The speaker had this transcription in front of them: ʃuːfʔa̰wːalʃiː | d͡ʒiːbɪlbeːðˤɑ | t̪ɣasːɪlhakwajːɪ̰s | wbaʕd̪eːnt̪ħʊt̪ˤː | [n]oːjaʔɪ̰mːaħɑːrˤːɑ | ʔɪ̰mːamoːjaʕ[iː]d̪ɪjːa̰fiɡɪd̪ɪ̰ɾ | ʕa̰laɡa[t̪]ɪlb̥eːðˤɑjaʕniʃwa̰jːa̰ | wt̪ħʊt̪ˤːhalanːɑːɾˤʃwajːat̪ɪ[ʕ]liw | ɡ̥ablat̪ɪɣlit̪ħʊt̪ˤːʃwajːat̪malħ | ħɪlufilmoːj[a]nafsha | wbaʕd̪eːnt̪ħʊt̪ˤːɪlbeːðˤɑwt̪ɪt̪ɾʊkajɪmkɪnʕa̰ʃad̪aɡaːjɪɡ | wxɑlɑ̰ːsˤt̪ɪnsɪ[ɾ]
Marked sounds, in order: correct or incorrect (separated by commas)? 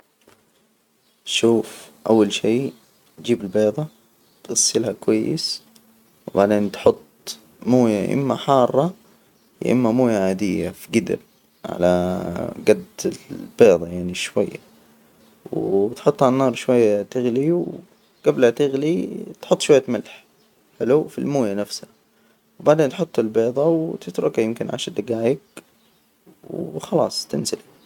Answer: incorrect, incorrect, incorrect, incorrect, correct, incorrect